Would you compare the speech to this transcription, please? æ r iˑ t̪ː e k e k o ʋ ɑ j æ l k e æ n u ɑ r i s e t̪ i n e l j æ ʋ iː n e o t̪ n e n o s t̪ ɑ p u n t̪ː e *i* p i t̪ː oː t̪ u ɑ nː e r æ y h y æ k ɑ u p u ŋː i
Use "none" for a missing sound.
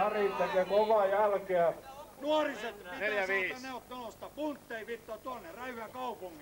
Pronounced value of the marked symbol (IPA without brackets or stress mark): i